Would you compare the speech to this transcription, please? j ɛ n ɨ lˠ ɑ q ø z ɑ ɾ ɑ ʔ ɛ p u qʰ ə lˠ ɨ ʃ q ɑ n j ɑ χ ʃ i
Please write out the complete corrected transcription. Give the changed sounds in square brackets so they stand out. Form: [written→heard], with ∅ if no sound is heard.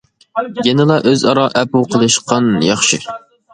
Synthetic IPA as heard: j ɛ n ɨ lˠ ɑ [q→ʔ] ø z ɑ ɾ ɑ ʔ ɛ p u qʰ ə lˠ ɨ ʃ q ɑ n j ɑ χ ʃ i